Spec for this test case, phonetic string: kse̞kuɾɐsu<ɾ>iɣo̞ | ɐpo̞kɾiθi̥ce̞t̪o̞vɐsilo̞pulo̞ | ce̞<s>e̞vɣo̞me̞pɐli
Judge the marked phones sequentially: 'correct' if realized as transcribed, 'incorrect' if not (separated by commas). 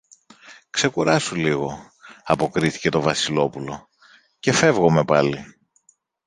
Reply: incorrect, incorrect